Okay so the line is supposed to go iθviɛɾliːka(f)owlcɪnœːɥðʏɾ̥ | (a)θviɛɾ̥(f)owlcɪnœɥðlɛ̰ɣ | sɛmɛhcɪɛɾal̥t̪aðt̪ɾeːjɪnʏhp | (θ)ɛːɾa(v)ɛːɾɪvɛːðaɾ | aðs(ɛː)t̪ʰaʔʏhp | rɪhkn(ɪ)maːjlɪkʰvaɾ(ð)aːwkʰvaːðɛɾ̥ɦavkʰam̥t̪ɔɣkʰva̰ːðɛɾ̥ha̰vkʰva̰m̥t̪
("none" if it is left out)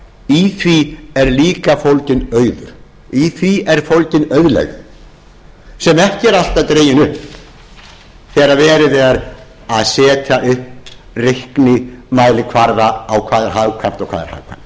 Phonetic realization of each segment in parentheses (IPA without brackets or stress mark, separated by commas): f, i, f, θ, v, ɛː, ɪ, ð